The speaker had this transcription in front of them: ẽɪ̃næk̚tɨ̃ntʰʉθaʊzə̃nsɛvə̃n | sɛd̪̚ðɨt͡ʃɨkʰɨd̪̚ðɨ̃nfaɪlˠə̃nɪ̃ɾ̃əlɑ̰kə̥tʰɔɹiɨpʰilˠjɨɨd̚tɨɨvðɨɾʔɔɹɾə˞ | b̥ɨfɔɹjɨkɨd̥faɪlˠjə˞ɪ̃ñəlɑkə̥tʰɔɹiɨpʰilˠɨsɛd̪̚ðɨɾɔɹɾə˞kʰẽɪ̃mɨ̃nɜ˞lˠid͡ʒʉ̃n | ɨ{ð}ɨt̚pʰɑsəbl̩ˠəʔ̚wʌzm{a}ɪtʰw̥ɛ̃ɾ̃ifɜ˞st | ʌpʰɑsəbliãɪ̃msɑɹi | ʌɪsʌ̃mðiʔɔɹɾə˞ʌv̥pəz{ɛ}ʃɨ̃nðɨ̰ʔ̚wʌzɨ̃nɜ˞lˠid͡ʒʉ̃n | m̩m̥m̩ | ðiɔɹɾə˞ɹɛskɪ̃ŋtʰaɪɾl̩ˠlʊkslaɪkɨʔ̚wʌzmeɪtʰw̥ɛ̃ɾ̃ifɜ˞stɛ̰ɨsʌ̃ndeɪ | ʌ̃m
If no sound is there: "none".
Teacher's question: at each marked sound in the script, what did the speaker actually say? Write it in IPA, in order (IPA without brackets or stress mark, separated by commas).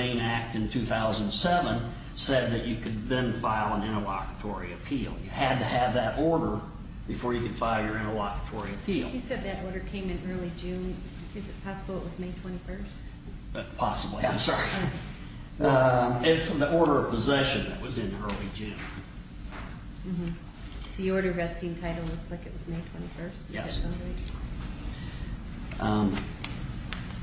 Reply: z, e, ɛ